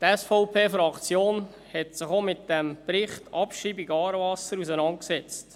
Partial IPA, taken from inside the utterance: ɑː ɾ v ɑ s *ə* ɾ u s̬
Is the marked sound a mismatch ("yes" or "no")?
no